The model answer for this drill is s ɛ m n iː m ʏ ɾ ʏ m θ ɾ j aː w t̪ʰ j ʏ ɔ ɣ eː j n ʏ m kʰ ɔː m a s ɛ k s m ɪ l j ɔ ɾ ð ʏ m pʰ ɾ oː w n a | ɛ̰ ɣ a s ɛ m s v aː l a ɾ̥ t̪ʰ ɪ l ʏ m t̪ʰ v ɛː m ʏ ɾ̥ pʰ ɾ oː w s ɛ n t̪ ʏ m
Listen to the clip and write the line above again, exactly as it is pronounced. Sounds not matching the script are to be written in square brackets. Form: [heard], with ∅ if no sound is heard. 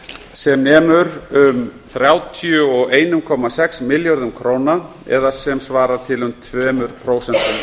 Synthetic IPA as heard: s ɛ m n [ɛː] m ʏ ɾ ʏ m θ ɾ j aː w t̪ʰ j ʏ ɔ ɣ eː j n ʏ m kʰ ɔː m a s ɛ k s m ɪ l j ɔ ɾ ð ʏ m [kʰ] ɾ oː w n a | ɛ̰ [ð] a s ɛ m s v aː [ɾ] a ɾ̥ t̪ʰ ɪ l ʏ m t̪ʰ v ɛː m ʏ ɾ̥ pʰ ɾ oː w s ɛ n t̪ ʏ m